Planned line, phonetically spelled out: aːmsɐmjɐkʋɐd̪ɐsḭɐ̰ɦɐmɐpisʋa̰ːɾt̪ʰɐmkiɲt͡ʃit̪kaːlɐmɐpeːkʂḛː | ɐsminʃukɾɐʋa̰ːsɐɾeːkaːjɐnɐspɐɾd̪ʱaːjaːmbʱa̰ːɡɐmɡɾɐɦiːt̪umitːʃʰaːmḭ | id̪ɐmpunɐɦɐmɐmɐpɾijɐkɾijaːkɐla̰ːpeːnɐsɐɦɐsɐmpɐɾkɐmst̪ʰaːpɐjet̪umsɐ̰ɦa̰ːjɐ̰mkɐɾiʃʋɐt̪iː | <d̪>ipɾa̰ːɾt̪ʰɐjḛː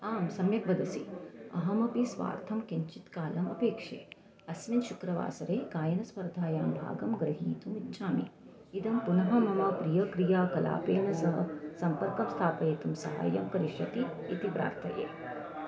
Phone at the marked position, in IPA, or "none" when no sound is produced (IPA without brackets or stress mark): t̪